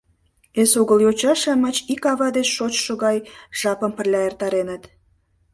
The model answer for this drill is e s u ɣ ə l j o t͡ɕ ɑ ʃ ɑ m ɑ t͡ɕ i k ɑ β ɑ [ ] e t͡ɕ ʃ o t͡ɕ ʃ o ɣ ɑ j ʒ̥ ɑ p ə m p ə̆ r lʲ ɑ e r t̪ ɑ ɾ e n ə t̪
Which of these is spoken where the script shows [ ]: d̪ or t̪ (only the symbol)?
d̪